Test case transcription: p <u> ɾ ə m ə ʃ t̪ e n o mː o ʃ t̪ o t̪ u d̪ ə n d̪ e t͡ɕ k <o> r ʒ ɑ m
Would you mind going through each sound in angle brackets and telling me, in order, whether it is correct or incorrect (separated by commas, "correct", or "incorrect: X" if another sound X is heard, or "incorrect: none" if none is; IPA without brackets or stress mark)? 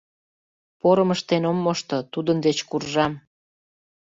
incorrect: o, incorrect: u